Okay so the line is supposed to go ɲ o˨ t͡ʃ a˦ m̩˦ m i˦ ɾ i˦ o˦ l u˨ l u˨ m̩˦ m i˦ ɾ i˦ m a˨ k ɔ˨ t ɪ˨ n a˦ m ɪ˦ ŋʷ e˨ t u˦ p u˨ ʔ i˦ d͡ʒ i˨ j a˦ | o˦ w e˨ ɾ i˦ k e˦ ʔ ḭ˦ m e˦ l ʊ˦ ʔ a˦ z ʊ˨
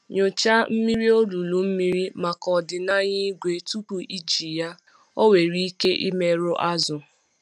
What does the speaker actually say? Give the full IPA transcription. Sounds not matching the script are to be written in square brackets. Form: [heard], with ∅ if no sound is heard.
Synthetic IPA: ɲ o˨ t͡ʃ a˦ m̩˦ m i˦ ɾ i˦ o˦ l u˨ l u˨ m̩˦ m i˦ ɾ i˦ m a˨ k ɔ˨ [d] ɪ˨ n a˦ [ɲ] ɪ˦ [ɡʷ] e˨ t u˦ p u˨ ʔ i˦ d͡ʒ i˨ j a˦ | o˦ w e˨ ɾ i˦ k e˦ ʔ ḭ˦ m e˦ [ɾ] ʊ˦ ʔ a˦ z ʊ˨

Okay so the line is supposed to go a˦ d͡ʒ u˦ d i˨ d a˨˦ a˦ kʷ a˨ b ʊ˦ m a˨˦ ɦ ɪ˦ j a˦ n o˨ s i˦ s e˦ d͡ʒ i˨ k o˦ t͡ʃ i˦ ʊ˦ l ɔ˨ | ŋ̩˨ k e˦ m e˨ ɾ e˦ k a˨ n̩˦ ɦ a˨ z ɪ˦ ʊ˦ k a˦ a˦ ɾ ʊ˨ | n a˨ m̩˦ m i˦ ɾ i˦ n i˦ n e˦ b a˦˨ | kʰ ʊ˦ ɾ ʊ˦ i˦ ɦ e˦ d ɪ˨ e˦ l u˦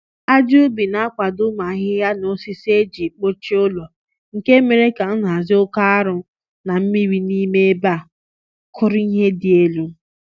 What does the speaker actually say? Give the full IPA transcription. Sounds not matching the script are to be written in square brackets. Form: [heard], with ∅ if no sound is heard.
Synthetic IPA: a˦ d͡ʒ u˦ [b] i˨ [n] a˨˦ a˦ kʷ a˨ [d] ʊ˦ m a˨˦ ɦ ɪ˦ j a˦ n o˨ s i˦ s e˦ d͡ʒ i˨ [k͡p] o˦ t͡ʃ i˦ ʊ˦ l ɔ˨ | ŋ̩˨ k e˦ m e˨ ɾ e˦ k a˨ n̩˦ ɦ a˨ z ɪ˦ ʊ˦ k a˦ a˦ ɾ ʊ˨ | n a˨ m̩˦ m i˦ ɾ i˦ n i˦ [m] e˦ b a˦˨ | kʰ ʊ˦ ɾ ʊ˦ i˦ ɦ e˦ d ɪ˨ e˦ l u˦

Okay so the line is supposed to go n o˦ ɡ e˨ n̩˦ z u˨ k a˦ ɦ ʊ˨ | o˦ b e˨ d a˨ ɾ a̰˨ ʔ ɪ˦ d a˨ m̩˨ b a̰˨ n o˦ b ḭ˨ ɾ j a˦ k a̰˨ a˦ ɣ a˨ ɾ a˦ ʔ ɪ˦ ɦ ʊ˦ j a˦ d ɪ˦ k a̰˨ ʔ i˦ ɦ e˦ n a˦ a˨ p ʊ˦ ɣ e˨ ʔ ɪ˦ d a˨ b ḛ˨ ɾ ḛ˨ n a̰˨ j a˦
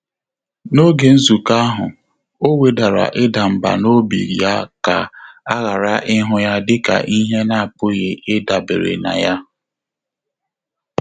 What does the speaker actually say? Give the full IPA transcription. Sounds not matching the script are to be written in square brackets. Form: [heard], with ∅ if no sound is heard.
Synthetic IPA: n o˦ ɡ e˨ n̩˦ z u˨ k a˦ ɦ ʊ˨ | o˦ [w] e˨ d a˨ ɾ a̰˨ ʔ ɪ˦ d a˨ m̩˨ b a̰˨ n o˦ b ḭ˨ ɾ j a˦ k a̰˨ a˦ ɣ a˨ ɾ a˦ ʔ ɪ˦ ɦ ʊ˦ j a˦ d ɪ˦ k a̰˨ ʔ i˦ ɦ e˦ n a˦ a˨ p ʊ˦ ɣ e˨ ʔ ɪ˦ d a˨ b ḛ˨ ɾ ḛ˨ n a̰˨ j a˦

